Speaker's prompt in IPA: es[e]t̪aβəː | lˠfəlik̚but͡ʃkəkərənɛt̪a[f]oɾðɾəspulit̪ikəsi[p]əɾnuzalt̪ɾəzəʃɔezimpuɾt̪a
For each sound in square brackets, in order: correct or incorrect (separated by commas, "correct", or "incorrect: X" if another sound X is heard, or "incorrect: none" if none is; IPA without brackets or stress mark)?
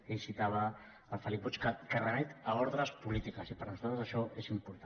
incorrect: i, incorrect: none, correct